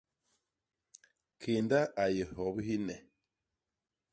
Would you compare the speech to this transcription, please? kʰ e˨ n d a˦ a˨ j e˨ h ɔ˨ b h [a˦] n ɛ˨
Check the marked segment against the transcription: incorrect: i˦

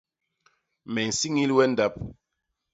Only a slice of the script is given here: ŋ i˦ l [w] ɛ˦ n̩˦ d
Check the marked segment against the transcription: correct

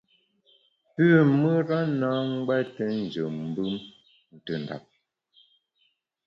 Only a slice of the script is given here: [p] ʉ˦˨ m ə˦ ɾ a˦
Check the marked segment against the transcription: correct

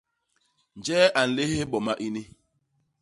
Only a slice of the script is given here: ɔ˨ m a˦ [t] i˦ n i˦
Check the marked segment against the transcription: incorrect: ʔ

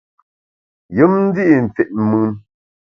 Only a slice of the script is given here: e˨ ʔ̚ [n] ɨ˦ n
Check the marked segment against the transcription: incorrect: m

